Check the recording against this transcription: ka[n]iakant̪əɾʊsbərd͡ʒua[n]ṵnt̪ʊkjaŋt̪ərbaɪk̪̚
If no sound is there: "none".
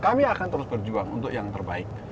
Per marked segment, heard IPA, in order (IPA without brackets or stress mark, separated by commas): m, ŋ